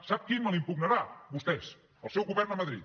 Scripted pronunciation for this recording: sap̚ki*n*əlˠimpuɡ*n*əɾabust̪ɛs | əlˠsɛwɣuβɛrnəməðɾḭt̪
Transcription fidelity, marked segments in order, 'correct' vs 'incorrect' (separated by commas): incorrect, correct